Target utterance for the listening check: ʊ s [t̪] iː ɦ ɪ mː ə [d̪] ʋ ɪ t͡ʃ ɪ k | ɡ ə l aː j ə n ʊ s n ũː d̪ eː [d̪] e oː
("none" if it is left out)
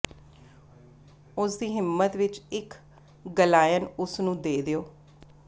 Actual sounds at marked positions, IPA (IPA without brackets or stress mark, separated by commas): d̪, t̪, d̪